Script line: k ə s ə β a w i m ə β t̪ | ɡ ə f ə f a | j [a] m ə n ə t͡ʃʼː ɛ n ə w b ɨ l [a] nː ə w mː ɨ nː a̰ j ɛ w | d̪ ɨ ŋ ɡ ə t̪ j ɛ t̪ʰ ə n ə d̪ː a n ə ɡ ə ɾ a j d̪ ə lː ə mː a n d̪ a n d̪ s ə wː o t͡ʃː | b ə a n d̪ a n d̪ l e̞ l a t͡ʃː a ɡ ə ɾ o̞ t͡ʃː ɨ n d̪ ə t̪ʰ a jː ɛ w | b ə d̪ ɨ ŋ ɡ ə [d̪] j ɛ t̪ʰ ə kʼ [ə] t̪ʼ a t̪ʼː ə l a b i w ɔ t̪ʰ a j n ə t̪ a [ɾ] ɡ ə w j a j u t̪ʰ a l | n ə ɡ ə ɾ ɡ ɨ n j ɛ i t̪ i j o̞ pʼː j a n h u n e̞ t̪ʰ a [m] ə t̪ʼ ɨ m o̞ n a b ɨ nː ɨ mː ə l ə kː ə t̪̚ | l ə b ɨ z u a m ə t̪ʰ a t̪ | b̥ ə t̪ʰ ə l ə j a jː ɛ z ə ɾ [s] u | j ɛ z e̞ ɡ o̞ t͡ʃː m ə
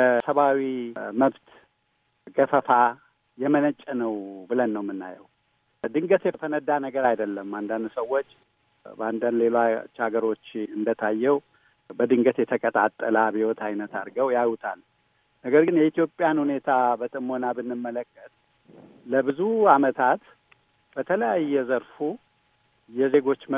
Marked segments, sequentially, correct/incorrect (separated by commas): incorrect, incorrect, incorrect, correct, correct, incorrect, incorrect